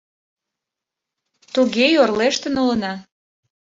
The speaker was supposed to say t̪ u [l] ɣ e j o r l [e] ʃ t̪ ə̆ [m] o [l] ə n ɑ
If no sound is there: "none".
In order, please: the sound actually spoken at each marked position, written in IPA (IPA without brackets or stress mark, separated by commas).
none, e, n, l